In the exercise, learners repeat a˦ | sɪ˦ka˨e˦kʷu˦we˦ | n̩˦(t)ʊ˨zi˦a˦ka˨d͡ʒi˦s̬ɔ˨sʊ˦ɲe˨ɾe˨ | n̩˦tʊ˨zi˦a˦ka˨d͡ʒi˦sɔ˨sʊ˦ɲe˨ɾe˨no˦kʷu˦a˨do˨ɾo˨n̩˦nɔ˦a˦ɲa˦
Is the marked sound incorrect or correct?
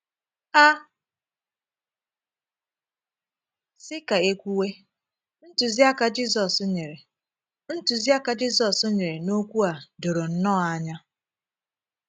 correct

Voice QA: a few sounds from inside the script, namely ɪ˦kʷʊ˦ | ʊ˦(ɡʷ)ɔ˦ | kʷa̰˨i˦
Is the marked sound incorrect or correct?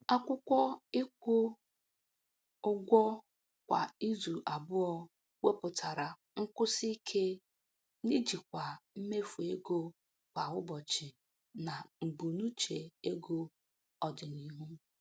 correct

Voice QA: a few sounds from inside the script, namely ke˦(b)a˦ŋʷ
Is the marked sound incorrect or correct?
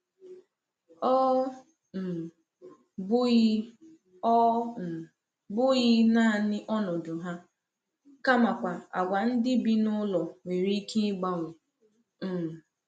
incorrect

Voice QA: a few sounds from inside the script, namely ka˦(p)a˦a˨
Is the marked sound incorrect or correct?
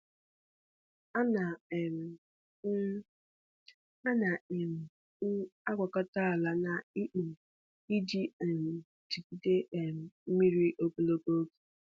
incorrect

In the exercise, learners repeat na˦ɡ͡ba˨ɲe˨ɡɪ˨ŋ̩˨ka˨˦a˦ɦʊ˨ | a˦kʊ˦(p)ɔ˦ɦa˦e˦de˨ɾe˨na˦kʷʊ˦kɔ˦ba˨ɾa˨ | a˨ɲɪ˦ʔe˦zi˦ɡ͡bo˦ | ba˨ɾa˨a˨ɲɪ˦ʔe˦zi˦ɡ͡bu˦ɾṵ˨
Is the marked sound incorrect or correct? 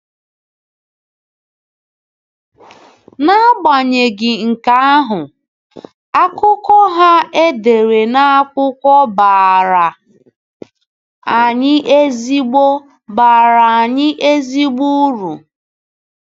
incorrect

